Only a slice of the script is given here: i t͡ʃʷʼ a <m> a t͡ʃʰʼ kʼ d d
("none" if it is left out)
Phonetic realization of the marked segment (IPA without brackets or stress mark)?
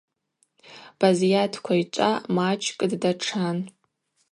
m